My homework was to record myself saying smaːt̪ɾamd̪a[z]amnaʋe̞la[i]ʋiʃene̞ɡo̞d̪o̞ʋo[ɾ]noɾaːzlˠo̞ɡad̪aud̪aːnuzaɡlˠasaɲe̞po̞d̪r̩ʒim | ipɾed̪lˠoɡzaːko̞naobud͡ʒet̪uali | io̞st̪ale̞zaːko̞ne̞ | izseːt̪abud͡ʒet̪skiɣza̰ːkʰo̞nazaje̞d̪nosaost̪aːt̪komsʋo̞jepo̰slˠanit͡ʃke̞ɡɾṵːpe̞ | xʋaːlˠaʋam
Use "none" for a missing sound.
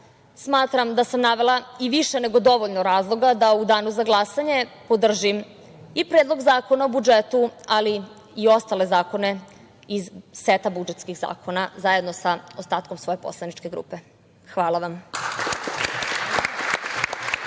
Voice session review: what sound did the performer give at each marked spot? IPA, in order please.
s, i, ʎ

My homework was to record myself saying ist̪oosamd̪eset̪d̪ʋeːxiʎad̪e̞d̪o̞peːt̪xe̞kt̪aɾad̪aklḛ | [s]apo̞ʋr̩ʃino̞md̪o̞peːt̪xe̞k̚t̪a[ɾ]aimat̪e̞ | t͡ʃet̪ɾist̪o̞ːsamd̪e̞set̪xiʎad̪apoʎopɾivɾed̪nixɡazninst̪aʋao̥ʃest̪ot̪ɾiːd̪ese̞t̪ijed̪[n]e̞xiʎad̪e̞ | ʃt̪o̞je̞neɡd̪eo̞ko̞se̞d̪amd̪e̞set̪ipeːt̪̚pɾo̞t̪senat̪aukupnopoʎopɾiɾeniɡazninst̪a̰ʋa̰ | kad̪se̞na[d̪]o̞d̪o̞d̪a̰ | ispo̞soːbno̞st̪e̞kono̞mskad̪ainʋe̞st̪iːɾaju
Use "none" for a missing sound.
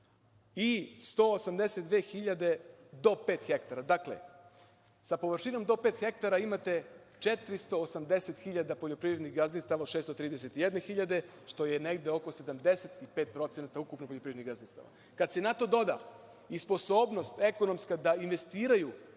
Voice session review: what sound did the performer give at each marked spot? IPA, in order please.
s, ɾ, n, t̪

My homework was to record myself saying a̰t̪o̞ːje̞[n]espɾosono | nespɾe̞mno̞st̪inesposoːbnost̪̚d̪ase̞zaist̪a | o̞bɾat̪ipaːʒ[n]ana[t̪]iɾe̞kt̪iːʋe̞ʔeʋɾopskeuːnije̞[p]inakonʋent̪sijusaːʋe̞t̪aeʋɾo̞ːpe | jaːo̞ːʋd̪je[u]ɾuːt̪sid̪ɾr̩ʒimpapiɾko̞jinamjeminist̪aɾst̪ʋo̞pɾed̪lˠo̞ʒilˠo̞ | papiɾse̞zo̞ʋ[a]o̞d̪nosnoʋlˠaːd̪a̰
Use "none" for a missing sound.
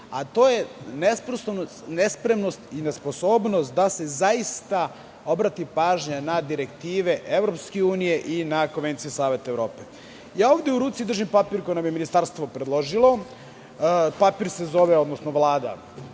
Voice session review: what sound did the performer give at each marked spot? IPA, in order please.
n, ɲ, d̪, ʔ, u, e

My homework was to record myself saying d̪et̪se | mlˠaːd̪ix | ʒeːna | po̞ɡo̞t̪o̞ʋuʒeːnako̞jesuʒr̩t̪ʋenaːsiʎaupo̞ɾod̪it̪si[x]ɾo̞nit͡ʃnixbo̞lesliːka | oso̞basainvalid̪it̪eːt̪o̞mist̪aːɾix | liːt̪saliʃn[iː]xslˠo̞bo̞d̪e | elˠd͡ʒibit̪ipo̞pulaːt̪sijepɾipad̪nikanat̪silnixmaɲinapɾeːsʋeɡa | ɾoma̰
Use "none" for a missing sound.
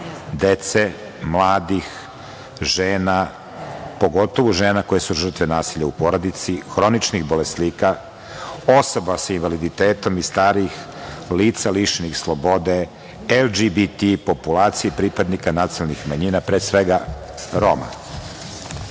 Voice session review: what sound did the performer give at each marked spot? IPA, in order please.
x, i

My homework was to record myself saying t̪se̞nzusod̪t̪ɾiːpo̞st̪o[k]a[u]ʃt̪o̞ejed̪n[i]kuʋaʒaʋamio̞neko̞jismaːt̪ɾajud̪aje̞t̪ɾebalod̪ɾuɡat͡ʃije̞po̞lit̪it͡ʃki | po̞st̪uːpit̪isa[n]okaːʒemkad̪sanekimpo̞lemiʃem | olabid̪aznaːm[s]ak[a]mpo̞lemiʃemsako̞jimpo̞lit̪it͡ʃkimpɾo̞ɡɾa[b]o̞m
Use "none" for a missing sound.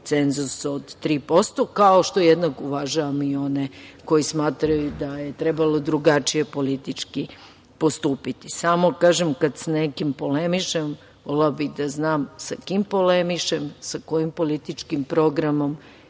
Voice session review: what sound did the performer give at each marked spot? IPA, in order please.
k, o, a, m, s, i, m

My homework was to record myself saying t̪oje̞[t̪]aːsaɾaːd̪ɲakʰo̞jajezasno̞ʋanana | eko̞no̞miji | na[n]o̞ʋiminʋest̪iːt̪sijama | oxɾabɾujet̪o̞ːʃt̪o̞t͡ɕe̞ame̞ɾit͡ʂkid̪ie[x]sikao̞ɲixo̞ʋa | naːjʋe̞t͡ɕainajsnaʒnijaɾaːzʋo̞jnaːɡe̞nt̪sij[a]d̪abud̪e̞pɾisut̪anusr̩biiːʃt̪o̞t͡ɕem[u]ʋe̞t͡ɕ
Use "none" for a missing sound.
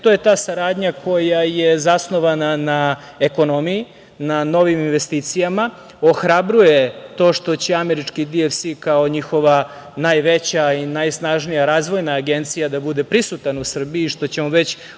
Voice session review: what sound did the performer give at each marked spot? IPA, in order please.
t̪, n, f, a, o

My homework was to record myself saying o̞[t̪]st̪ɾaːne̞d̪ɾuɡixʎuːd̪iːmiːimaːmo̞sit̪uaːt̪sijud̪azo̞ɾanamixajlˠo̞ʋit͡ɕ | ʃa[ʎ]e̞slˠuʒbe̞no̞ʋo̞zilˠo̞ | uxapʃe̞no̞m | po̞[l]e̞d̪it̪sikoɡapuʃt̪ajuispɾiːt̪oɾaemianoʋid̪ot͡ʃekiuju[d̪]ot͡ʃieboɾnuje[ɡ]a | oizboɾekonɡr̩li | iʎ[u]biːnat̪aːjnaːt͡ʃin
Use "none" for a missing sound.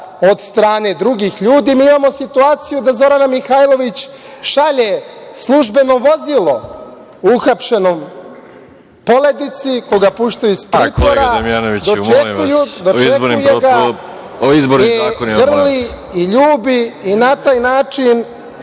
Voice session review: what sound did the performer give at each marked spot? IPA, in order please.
d̪, ʎ, l, d̪, ɡ, uː

